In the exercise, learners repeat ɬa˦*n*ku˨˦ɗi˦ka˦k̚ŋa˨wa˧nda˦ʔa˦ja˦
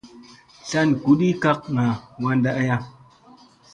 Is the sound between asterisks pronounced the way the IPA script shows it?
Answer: yes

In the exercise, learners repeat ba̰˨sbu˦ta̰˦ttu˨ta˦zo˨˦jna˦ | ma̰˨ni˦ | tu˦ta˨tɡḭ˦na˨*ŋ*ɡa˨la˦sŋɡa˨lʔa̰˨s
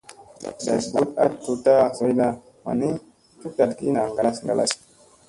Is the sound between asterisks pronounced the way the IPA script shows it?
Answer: yes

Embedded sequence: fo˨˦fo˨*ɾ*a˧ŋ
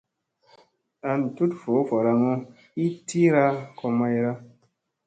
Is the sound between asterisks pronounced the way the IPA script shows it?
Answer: yes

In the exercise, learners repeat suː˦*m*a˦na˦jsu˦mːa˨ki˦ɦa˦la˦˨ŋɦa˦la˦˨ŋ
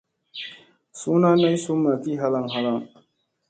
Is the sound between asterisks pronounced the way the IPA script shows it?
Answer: no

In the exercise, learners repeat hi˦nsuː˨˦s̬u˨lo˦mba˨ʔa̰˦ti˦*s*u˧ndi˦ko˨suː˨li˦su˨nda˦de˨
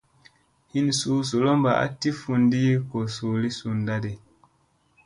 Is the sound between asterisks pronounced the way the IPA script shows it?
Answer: no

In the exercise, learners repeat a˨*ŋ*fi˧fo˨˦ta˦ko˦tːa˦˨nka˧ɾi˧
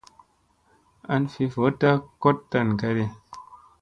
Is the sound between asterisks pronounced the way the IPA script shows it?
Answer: no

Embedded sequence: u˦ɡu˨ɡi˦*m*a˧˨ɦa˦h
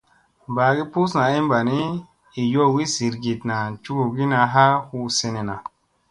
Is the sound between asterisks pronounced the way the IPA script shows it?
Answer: no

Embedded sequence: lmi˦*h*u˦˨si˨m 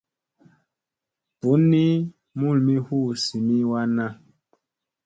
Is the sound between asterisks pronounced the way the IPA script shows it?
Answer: yes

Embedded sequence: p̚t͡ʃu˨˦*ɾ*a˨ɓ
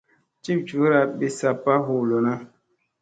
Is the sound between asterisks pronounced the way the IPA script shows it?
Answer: yes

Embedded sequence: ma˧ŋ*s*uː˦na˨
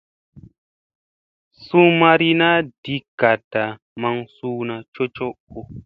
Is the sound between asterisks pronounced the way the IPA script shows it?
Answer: yes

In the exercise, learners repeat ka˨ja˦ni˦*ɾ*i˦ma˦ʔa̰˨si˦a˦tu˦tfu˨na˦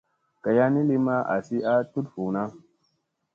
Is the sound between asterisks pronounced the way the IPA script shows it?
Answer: no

